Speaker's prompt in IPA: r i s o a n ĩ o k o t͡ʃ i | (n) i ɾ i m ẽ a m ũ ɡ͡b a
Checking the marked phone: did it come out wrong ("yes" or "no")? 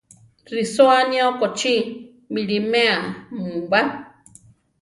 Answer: yes